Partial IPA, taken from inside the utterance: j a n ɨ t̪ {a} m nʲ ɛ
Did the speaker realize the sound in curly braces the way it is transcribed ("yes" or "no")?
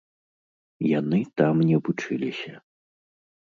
yes